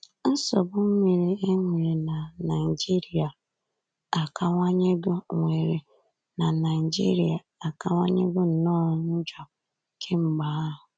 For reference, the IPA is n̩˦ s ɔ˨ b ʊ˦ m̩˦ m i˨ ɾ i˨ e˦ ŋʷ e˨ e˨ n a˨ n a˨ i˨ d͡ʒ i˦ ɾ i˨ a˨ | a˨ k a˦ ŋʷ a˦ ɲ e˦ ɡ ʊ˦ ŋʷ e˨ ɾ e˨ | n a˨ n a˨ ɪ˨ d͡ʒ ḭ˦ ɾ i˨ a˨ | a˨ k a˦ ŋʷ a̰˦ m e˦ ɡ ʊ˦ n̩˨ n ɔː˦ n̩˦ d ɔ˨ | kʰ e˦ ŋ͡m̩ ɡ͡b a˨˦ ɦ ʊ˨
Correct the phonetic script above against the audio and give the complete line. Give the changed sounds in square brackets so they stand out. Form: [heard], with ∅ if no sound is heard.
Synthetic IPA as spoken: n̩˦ s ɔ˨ b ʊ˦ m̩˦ m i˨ ɾ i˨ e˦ ŋʷ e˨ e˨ n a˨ n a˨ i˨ d͡ʒ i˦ ɾ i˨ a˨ | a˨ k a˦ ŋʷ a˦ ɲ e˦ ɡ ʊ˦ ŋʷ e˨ ɾ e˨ | n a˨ n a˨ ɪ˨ d͡ʒ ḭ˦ ɾ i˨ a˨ | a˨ k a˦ ŋʷ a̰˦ [ɲ] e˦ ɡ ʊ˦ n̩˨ n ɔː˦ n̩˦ [d͡ʒ] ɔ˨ | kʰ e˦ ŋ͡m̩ ɡ͡b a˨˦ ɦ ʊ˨